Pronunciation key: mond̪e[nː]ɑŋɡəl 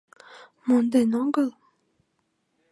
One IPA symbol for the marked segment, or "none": n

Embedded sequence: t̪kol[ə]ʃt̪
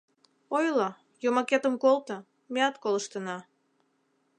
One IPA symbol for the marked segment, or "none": ə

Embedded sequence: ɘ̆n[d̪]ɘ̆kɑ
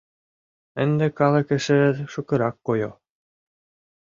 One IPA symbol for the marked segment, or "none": d̪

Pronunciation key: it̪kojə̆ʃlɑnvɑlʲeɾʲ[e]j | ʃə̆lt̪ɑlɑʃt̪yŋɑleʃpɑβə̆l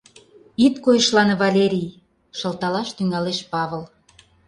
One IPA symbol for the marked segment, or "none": i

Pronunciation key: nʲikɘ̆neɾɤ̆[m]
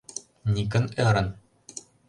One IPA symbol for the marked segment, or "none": n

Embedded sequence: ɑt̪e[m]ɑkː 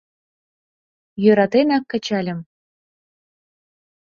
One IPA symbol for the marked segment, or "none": n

